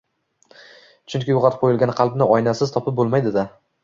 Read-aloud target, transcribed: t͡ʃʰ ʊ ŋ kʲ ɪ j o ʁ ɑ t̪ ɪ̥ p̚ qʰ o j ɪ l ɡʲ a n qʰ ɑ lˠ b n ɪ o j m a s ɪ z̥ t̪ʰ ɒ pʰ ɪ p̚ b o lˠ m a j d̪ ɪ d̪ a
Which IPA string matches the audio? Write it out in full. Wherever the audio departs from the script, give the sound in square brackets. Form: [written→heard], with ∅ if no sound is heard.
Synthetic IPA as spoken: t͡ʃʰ ʊ ŋ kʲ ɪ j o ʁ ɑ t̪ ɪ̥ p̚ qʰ o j ɪ l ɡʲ a n qʰ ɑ lˠ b n ɪ [o→ɒ] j [m→n] a s ɪ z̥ t̪ʰ ɒ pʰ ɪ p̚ b o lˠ m a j d̪ ɪ d̪ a